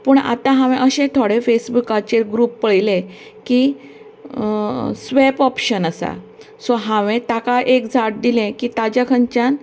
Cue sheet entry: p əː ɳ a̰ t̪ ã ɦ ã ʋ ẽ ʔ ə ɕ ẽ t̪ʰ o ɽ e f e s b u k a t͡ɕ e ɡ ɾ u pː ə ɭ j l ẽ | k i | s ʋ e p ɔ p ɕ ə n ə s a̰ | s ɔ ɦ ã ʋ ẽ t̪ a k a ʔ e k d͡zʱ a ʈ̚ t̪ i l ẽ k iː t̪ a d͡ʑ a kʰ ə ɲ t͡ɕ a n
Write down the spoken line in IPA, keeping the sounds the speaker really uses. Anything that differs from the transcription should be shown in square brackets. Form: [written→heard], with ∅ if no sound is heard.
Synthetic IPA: p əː ɳ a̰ t̪ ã ɦ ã ʋ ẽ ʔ ə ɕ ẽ t̪ʰ o ɽ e f e s b u k a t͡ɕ e ɡ ɾ u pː ə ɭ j l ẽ | k i | s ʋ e p ɔ p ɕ ə n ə s a̰ | s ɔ ɦ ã ʋ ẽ t̪ a k a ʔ e k d͡zʱ a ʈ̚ [t̪→d̪] i l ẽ k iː t̪ a d͡ʑ a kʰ ə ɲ t͡ɕ a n